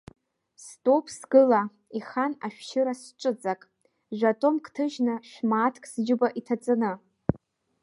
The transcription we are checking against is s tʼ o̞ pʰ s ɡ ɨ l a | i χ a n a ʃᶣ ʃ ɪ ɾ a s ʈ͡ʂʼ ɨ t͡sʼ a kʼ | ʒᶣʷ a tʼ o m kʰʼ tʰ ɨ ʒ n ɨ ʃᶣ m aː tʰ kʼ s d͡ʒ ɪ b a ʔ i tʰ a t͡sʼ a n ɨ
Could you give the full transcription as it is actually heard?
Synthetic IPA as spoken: s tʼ o̞ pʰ s ɡ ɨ l a | i χ a n a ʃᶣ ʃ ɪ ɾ a s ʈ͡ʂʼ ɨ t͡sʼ a kʼ | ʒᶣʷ a tʼ o m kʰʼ tʰ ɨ ʒ n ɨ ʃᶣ m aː tʰ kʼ s d͡ʒ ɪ b a ʔ i tʰ a t͡sʼ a n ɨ